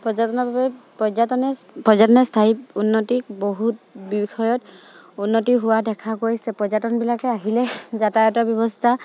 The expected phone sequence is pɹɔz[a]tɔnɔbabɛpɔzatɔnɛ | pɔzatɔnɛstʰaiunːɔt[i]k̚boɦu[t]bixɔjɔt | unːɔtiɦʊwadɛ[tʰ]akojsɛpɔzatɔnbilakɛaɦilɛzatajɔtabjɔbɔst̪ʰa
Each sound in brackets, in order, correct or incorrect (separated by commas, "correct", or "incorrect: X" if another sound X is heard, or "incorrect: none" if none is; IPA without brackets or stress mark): correct, correct, correct, incorrect: kʰ